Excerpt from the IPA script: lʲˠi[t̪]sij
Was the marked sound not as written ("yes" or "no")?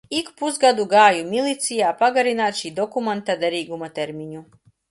no